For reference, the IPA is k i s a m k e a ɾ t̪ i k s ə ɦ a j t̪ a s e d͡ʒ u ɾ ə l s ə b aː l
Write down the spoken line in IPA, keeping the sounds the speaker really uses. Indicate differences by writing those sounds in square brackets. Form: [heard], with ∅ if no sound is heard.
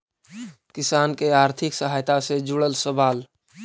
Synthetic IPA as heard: k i s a [n] k e a ɾ [t̪ʰ] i k s ə ɦ a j t̪ a s e d͡ʒ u [ɽ] ə l s ə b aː l